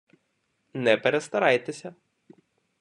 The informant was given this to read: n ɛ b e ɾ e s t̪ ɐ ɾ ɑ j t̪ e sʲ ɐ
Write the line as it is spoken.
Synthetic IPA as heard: n ɛ p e ɾ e s t̪ ɐ ɾ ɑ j t̪ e sʲ ɐ